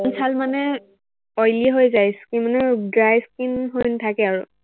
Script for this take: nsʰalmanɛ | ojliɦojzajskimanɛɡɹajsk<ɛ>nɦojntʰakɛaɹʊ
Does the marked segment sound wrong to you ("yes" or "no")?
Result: yes